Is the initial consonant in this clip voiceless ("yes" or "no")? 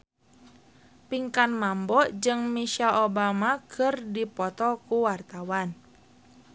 yes